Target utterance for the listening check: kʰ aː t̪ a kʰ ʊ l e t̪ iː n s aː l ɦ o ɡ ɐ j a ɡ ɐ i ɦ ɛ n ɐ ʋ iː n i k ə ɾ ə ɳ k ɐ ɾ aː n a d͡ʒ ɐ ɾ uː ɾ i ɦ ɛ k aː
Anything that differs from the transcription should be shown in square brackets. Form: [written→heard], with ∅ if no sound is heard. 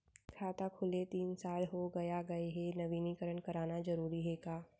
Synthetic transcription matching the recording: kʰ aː t̪ a kʰ ʊ l e t̪ iː n s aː l ɦ o ɡ ɐ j a ɡ ɐ [i→e] ɦ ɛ n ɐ ʋ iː n i k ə ɾ ə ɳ k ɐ ɾ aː n a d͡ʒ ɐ ɾ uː ɾ i ɦ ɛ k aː